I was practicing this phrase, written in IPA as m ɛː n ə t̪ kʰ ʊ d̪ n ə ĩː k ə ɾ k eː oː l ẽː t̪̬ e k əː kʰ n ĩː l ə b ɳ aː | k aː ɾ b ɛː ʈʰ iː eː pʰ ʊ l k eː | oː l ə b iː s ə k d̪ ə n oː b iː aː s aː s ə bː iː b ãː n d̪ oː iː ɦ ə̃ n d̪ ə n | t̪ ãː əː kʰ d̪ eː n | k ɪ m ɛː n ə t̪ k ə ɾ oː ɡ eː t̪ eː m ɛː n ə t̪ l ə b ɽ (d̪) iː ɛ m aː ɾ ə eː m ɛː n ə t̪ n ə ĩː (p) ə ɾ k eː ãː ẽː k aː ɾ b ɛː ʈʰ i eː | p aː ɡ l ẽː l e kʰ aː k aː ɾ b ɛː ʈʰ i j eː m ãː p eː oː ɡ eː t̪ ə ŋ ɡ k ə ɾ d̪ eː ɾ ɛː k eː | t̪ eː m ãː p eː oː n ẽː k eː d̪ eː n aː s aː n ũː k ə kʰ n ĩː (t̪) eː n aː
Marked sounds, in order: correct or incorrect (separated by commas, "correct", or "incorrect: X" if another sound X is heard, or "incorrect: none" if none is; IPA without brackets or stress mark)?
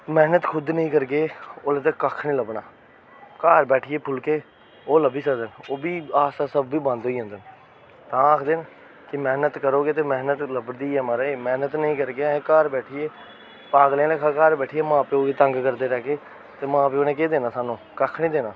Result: correct, incorrect: k, incorrect: d̪